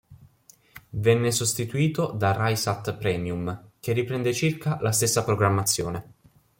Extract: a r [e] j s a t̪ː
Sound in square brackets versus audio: incorrect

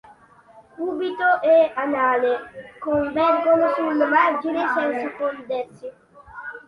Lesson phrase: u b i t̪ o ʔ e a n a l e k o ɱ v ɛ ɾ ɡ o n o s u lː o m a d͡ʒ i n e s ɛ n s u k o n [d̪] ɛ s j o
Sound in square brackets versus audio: correct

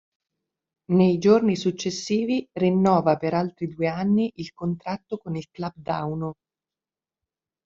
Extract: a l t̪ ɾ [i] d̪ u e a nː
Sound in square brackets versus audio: correct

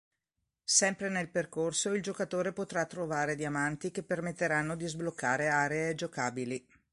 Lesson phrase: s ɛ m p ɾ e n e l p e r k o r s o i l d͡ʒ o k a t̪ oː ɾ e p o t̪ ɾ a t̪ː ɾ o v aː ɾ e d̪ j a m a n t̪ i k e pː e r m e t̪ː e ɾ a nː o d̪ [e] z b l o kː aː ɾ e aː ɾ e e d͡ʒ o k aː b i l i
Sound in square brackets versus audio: incorrect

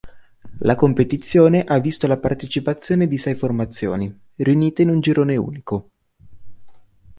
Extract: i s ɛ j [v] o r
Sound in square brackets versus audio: incorrect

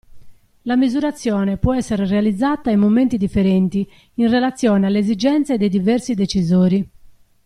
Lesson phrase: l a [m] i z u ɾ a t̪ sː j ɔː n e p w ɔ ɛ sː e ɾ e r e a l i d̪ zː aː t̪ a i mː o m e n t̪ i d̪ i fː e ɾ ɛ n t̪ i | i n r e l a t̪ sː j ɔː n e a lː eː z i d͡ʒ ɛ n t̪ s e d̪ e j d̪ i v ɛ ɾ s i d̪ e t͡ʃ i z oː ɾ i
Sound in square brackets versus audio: correct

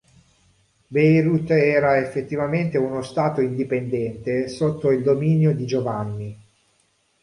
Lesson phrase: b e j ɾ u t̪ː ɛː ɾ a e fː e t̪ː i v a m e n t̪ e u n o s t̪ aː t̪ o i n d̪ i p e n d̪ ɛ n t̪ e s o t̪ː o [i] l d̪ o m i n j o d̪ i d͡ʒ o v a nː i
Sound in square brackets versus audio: correct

